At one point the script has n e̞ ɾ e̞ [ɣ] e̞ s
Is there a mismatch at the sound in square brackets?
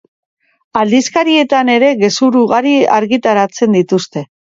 no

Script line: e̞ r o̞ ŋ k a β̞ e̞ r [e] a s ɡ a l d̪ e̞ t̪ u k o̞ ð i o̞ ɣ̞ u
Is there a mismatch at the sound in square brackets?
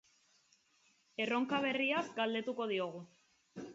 yes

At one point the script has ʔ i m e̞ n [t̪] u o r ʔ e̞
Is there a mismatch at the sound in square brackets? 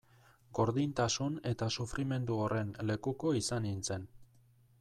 yes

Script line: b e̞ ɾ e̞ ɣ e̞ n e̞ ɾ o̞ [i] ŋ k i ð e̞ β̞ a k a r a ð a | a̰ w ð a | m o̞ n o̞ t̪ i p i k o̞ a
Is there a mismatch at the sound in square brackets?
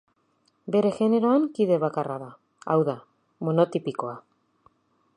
yes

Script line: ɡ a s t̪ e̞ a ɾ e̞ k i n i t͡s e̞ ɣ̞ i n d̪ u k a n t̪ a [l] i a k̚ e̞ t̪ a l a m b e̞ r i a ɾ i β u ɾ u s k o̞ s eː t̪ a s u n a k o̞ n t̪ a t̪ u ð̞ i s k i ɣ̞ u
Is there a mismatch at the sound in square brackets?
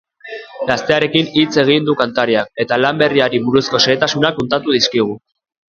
yes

